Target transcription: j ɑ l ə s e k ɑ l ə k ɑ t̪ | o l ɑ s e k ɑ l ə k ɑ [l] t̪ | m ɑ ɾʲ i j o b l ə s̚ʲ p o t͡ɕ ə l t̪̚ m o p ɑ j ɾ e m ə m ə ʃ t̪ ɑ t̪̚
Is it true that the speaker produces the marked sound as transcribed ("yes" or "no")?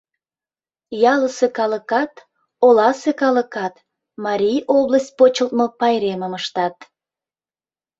no